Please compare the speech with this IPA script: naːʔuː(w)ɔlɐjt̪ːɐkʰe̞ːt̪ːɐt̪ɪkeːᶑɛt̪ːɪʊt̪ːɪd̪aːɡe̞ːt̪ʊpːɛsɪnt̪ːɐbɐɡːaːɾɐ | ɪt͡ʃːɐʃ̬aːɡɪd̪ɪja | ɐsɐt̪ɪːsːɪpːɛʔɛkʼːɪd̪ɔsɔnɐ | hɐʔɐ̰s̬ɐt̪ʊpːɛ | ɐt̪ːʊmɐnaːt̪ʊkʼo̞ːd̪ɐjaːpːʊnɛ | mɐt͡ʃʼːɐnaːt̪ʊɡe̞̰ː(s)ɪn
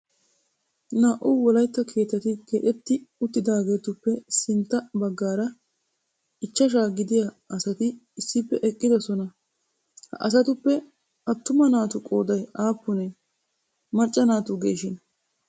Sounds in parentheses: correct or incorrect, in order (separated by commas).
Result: correct, incorrect